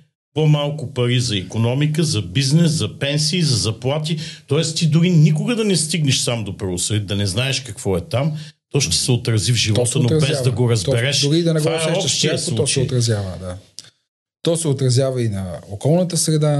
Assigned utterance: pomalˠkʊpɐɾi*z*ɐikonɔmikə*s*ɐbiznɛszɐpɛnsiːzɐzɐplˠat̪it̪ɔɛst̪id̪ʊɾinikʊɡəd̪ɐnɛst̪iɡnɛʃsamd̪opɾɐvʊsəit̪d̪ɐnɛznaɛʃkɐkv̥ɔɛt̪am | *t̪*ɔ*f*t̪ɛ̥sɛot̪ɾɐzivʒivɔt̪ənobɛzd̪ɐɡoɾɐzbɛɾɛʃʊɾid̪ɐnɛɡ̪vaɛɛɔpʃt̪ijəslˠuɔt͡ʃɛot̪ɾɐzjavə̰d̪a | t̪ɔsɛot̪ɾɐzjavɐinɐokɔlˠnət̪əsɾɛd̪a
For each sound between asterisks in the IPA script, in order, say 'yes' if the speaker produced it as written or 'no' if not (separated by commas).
yes, no, yes, no